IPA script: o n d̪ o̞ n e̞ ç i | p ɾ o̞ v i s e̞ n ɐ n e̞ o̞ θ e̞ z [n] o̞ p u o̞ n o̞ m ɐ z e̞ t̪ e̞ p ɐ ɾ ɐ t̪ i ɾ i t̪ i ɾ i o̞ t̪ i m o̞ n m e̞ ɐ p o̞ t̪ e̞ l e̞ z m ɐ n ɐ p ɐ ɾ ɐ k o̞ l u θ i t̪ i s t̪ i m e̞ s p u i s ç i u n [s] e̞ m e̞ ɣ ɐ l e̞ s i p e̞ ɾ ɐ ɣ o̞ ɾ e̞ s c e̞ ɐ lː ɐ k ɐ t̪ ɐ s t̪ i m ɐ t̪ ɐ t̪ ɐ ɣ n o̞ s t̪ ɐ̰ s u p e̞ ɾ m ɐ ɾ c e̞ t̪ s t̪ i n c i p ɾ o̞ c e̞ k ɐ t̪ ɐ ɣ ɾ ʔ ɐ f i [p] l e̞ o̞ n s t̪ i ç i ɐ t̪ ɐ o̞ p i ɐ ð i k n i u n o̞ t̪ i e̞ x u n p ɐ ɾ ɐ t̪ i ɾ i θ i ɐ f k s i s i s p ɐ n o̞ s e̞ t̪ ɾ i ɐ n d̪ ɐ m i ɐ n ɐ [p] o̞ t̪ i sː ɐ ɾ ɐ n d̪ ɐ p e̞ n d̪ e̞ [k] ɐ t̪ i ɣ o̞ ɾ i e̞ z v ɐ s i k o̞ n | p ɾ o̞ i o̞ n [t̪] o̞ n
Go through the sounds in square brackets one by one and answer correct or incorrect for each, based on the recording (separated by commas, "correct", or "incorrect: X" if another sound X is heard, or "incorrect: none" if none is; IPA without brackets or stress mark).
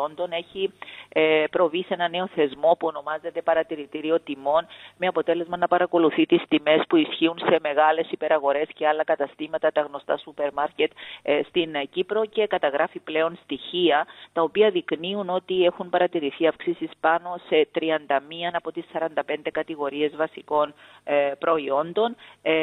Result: incorrect: m, correct, correct, correct, correct, incorrect: d̪